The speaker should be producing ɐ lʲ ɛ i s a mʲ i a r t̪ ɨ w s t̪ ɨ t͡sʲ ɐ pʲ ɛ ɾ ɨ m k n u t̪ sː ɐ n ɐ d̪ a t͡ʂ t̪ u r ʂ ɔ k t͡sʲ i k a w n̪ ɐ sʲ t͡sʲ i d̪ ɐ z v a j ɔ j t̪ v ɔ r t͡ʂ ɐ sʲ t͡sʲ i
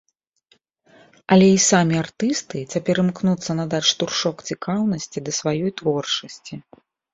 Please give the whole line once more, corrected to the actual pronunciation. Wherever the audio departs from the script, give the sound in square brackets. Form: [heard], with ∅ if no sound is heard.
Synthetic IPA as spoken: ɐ lʲ ɛ i s a mʲ i a r t̪ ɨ [∅] s t̪ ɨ t͡sʲ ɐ pʲ ɛ ɾ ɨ m k n u t̪ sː ɐ n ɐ d̪ a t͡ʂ t̪ u r ʂ ɔ k t͡sʲ i k a w n̪ ɐ sʲ t͡sʲ i d̪ ɐ [s] v a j ɔ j t̪ v ɔ r t͡ʂ ɐ sʲ t͡sʲ i